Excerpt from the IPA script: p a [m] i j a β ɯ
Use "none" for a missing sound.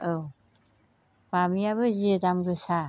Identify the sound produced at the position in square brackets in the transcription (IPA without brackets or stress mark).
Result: m